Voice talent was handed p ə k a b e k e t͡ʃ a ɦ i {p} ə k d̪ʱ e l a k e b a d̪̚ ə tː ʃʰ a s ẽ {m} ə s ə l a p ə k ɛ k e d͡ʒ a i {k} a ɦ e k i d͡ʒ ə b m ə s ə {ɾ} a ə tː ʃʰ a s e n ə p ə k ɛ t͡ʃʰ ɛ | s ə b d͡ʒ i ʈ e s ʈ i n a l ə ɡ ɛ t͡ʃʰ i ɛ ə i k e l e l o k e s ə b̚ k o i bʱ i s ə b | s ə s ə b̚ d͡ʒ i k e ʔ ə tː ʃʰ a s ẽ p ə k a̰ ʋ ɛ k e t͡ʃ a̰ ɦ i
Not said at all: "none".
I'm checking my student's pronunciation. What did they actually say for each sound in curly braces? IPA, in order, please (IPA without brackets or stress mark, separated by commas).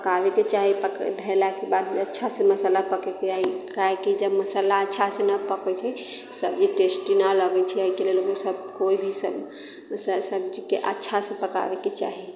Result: p, m, k, l